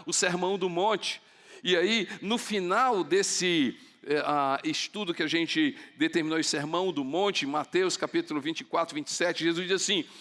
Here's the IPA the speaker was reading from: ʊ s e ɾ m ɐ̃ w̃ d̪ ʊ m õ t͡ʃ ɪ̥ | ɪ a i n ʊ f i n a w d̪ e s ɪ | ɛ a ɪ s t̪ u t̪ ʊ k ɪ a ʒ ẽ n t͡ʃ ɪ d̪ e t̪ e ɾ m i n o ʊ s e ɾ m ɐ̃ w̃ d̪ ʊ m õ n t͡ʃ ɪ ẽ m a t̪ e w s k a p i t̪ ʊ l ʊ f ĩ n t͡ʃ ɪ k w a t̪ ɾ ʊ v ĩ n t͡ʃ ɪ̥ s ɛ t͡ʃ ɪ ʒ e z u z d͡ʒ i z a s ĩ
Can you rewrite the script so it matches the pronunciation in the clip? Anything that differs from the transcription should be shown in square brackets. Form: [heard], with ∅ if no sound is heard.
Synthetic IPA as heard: ʊ s e ɾ m ɐ̃ w̃ d̪ ʊ m õ t͡ʃ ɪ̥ | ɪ a i n ʊ f i n a w d̪ e s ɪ | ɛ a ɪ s t̪ u [d̪] ʊ k ɪ a ʒ ẽ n t͡ʃ ɪ d̪ e t̪ e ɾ m i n o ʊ s e ɾ m ɐ̃ w̃ d̪ ʊ m õ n t͡ʃ ɪ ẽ m a t̪ e w s k a p i t̪ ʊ l ʊ [v] ĩ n t͡ʃ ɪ k w a t̪ ɾ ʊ v ĩ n t͡ʃ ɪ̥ s ɛ t͡ʃ ɪ ʒ e z u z d͡ʒ i z a s ĩ